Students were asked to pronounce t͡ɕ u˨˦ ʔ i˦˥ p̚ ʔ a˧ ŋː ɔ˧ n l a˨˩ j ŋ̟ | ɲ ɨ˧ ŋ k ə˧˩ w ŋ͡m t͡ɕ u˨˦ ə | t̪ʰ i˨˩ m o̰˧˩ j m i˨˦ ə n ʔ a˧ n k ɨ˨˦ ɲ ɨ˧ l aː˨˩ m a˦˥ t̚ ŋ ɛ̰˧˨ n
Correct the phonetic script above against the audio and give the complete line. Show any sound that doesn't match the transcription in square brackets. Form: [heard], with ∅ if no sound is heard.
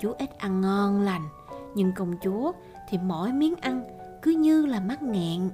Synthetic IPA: t͡ɕ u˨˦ ʔ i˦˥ [t̚] ʔ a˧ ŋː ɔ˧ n l a˨˩ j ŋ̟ | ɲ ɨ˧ ŋ k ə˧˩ w ŋ͡m t͡ɕ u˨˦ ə | t̪ʰ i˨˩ m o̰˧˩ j m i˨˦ ə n ʔ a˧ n k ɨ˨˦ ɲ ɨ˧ l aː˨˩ m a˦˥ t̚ ŋ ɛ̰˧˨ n